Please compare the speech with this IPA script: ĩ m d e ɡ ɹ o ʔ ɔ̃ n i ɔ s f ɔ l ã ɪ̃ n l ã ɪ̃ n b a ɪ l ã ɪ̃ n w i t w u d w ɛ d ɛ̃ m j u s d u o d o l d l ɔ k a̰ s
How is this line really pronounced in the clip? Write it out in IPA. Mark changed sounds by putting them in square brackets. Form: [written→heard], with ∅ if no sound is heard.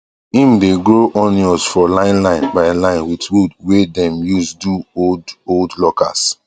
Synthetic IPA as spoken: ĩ m d e ɡ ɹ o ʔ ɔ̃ n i ɔ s f ɔ l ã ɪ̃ n l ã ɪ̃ n b a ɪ l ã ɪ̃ n w i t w u d w [ɛ→e] d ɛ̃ m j u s d u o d o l d l ɔ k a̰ s